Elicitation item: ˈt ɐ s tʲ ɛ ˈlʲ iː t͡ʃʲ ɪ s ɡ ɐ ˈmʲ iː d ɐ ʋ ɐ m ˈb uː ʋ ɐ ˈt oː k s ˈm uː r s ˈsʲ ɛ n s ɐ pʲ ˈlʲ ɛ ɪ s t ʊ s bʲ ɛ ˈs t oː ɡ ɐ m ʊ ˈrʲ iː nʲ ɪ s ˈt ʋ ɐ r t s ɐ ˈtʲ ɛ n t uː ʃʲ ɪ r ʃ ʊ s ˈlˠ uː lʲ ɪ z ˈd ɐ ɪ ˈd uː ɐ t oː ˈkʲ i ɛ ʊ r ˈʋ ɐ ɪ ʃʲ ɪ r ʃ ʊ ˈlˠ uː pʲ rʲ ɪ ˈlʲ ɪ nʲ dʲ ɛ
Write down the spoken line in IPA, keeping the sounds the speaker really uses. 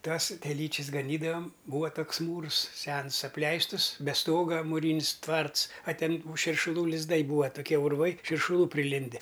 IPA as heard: ˈt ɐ s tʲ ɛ ˈlʲ iː t͡ʃʲ ɪ s ɡ ɐ ˈnʲ iː d ɐ ʋ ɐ m ˈb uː ʋ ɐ ˈt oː k s ˈm uː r s ˈsʲ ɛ n s ɐ pʲ ˈlʲ ɛ ɪ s t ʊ s bʲ ɛ ˈs t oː ɡ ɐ m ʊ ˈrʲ iː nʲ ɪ s ˈt ʋ ɐ r t s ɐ ˈtʲ ɛ n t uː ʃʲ ɪ r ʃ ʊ ˈlˠ uː lʲ ɪ z ˈd ɐ ɪ ˈb uː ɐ t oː ˈkʲ i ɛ ʊ r ˈʋ ɐ ɪ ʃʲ ɪ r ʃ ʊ ˈlˠ uː pʲ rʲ ɪ ˈlʲ ɪ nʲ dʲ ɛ